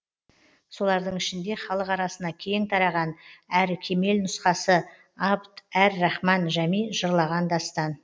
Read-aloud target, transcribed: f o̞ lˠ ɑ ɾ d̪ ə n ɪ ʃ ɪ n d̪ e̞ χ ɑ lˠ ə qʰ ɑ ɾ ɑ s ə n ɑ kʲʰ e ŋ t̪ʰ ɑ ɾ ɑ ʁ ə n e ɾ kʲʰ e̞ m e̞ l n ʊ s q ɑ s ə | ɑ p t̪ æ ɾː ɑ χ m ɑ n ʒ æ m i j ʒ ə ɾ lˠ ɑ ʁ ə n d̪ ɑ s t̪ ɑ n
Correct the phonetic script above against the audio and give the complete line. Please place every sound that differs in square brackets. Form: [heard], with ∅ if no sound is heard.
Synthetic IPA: [s] o̞ lˠ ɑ ɾ d̪ ə [ɴ] ɪ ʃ ɪ n d̪ e̞ χ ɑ lˠ ə [q] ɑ ɾ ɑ s ə n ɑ kʲʰ e ŋ t̪ʰ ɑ ɾ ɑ ʁ [ɑ] n [æ] ɾ kʲʰ e̞ m e̞ l n ʊ s q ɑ s ə | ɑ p t̪ æ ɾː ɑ χ m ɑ n ʒ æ m i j ʒ ə ɾ lˠ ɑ ʁ [ɑ] n d̪ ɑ s t̪ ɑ n